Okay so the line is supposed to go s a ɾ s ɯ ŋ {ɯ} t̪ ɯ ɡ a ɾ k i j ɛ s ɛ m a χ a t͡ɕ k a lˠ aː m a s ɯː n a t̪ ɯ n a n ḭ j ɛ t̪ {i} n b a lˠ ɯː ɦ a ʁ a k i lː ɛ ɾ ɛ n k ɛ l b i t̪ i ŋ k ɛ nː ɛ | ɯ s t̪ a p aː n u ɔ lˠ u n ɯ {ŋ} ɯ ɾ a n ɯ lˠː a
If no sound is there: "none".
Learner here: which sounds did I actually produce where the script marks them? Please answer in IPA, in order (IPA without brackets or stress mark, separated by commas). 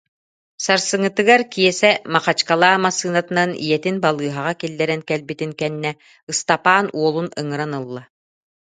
ɯ, i, ŋ